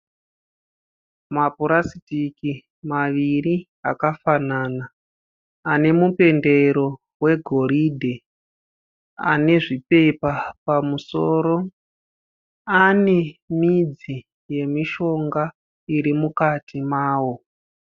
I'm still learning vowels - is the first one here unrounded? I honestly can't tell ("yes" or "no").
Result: yes